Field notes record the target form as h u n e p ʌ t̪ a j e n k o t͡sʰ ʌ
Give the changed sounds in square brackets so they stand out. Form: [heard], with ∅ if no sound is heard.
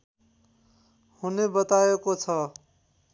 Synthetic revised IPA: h u n e [b] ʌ t̪ a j e [∅] k o t͡sʰ ʌ